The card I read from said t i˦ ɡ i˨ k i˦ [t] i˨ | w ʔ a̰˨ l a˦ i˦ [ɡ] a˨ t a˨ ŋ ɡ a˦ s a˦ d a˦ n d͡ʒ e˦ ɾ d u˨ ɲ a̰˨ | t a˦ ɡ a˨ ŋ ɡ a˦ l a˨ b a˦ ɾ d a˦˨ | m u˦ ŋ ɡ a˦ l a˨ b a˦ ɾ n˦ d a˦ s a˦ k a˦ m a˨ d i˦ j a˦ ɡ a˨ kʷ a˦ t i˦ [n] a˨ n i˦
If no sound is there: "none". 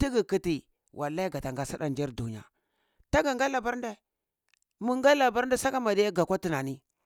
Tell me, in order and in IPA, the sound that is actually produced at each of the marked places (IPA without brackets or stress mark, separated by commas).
t, ɡ, n